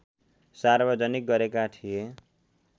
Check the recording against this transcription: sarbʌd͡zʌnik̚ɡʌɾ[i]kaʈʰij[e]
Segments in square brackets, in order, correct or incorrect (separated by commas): incorrect, correct